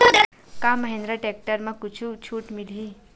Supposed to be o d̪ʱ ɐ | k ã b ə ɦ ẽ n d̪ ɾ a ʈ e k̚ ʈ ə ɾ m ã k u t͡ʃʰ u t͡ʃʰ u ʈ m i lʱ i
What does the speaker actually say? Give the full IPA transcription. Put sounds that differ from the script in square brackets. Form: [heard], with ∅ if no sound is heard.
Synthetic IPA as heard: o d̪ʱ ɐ | k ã [m] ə ɦ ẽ n d̪ ɾ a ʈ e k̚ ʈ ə ɾ m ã k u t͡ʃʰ u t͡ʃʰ u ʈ m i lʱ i